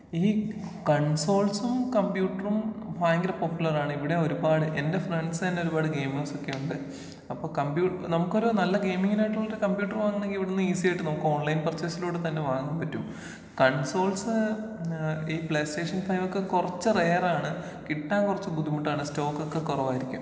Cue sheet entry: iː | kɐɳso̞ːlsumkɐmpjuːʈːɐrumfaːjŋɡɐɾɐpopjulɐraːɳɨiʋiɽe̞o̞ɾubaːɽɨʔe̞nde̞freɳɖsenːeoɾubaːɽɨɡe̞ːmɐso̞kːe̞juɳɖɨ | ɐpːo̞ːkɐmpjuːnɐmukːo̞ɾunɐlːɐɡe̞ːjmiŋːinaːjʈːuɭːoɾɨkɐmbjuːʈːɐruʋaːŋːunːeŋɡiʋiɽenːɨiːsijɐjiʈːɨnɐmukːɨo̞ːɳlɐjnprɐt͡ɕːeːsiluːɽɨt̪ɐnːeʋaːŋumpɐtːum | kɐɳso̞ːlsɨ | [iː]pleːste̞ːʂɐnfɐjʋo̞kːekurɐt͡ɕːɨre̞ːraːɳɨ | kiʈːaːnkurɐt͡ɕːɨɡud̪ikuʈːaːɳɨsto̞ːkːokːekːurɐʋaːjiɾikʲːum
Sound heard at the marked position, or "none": iː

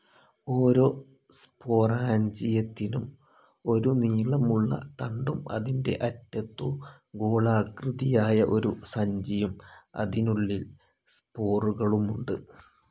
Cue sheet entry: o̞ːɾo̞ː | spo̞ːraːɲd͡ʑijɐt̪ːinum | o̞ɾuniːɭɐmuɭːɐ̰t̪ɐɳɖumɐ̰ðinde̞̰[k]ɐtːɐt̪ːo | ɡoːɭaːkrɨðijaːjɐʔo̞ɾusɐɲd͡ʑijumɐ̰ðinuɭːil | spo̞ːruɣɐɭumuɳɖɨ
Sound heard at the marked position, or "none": ʔ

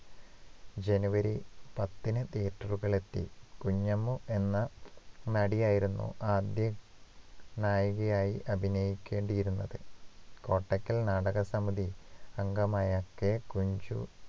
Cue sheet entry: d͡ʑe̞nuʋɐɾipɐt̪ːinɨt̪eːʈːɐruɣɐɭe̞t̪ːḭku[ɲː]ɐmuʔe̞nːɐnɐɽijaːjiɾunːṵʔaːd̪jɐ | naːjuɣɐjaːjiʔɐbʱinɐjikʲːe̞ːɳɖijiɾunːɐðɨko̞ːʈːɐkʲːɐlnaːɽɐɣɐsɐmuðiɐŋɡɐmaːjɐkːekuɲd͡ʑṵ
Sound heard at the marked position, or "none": ɲː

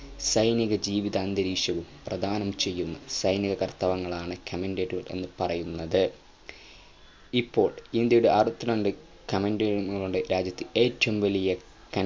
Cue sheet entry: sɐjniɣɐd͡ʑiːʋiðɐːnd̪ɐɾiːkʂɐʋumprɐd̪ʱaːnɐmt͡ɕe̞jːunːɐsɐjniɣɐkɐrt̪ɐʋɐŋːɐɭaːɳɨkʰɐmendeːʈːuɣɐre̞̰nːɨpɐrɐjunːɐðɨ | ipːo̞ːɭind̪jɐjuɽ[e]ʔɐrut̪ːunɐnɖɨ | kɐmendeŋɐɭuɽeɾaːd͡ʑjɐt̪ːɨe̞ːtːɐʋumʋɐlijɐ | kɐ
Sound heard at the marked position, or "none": e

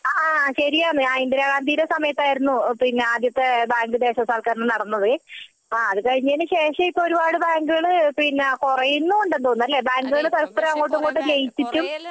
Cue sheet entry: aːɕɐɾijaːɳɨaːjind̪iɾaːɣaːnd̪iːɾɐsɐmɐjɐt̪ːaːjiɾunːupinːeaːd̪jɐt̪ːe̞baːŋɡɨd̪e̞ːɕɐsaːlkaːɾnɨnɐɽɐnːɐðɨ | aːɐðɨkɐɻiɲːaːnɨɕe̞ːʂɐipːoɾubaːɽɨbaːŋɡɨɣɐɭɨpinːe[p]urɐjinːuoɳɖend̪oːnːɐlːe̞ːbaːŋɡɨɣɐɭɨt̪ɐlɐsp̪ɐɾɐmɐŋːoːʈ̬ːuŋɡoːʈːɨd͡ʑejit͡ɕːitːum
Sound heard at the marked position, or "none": k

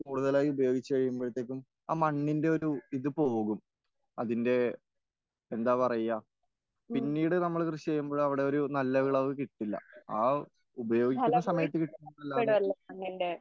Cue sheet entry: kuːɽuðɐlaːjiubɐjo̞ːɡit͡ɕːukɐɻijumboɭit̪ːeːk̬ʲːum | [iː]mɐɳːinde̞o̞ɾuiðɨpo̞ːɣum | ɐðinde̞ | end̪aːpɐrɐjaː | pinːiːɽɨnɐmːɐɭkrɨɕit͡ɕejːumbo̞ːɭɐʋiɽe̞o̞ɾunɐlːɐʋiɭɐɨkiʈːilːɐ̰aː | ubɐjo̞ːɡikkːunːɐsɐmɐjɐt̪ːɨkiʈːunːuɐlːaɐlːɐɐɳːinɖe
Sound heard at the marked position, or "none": aː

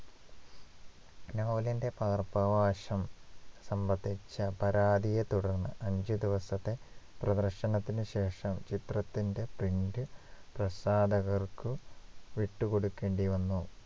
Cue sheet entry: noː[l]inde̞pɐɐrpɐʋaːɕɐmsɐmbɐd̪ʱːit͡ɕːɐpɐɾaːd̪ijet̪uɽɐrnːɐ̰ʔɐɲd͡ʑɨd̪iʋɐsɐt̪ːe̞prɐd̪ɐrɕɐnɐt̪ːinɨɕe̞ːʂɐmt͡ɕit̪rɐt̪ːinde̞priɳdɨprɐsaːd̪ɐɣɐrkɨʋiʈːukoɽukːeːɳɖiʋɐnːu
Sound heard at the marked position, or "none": l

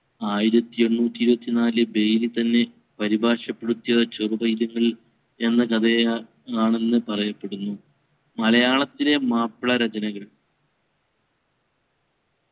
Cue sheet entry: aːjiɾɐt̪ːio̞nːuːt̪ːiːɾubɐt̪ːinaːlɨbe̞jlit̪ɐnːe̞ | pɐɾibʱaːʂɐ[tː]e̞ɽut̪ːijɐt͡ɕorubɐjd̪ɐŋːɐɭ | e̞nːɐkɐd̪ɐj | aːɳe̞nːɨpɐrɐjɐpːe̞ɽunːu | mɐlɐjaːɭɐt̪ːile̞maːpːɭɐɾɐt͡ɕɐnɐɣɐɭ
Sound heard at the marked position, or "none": pː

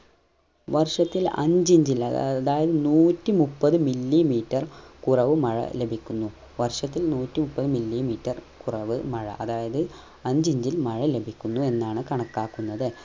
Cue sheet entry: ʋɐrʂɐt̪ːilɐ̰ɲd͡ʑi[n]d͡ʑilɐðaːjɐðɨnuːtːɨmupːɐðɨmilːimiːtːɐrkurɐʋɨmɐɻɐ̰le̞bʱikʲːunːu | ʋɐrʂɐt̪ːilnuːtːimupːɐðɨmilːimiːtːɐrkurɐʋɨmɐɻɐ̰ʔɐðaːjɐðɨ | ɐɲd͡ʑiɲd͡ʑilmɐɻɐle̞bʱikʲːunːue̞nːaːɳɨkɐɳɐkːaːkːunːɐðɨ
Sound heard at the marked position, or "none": ɲ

